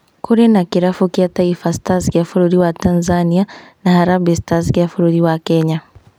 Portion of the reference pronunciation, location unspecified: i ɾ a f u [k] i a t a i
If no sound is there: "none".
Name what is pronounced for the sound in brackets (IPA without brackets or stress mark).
k